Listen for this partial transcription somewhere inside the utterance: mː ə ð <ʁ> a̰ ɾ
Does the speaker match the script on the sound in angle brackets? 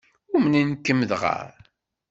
yes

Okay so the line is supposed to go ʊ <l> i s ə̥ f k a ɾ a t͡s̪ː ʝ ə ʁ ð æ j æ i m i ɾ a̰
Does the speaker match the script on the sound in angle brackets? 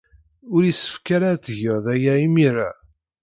no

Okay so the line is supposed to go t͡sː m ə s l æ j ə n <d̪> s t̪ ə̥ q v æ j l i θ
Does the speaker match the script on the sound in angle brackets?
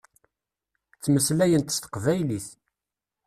no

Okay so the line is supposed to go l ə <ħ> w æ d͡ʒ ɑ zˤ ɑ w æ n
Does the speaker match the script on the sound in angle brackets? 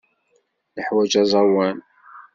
yes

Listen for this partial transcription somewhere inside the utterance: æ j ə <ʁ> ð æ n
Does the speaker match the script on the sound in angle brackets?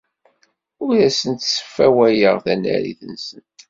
yes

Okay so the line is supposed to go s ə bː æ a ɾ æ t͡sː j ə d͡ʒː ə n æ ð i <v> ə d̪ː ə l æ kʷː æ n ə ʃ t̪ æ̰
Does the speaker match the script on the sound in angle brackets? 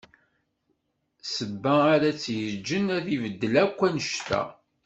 yes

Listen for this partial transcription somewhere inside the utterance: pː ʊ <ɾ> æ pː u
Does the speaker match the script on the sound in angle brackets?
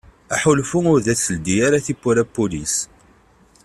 yes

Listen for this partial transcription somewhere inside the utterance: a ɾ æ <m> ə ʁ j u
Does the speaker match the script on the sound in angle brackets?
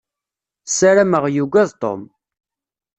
yes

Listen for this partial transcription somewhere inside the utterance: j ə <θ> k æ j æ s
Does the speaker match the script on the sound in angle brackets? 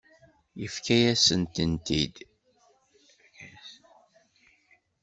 no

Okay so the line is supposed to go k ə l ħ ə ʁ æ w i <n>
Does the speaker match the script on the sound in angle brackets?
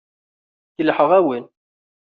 yes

